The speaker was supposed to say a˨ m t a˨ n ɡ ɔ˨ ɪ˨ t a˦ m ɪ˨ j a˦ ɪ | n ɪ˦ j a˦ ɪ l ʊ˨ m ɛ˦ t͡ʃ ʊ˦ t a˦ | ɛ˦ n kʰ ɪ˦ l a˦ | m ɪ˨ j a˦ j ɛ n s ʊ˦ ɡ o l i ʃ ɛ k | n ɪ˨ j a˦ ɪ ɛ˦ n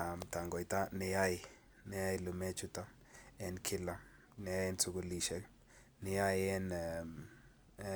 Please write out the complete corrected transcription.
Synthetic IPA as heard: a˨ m t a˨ ŋ ɡ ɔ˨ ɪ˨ t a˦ n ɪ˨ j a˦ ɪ | n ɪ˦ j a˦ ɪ l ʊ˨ m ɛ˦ t͡ʃ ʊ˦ t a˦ | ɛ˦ n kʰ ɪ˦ l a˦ | n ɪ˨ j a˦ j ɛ n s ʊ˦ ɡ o l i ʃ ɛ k | n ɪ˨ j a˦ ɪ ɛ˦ n